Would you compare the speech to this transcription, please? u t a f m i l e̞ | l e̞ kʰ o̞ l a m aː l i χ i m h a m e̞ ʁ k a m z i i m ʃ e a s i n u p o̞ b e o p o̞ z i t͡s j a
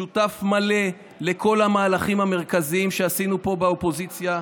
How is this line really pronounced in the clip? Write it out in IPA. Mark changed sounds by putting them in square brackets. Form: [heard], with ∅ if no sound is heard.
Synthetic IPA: u t a f m [a] l e̞ | l e̞ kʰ o̞ l a m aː l [a] χ i m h a m e̞ ʁ k a [∅] z i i m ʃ e a s i n u p o̞ b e o p o̞ z i t͡s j a